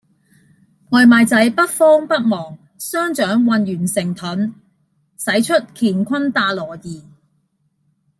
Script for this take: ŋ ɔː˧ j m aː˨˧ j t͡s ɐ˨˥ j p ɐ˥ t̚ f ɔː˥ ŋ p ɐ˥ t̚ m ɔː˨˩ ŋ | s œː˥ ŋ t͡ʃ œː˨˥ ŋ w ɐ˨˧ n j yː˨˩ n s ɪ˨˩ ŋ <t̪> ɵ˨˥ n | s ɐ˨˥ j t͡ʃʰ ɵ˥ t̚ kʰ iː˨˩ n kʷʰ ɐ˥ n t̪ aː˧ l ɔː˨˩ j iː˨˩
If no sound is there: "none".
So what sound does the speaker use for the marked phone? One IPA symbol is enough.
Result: t̪ʰ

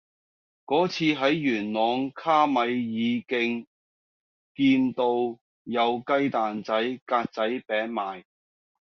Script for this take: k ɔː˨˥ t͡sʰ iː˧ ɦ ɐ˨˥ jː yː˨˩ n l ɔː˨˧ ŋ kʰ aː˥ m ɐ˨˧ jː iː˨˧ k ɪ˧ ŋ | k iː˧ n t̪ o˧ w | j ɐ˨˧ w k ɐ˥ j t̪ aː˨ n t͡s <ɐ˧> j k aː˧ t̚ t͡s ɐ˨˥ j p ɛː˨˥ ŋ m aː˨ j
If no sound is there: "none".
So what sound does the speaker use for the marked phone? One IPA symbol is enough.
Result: ɐ˨˥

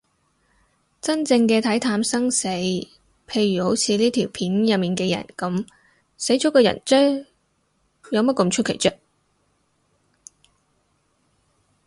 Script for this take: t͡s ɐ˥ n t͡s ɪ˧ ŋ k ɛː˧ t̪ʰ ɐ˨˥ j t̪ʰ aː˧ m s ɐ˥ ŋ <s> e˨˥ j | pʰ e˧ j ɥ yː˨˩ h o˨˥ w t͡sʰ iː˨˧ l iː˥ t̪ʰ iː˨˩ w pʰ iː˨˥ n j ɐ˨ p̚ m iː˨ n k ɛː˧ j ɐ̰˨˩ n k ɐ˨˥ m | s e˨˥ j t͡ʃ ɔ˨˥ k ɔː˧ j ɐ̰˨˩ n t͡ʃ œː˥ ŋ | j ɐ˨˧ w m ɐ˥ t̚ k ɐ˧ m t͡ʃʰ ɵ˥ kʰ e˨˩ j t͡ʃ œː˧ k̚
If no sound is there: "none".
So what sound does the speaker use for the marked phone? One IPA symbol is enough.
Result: s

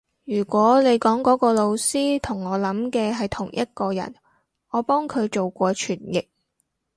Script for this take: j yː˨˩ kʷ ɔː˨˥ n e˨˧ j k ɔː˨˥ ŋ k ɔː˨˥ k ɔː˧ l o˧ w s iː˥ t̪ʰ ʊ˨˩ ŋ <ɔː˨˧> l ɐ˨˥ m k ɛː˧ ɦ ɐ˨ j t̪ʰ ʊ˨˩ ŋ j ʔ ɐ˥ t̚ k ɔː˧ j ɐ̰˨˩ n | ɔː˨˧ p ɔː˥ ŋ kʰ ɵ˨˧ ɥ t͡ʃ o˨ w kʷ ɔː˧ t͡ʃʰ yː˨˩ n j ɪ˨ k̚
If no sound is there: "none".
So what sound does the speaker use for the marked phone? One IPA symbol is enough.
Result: ɔː˨˧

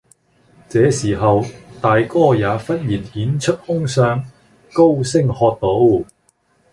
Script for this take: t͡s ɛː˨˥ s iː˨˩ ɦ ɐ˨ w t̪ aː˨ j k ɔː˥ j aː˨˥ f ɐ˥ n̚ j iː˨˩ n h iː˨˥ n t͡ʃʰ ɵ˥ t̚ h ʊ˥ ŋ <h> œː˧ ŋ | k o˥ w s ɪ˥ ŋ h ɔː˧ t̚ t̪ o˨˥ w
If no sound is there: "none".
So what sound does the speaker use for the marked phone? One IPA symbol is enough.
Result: s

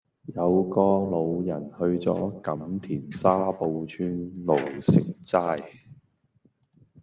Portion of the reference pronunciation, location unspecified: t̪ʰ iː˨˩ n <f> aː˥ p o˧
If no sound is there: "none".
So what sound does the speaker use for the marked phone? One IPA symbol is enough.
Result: s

